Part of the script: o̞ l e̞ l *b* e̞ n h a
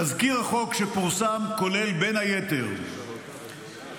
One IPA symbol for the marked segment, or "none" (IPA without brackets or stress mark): b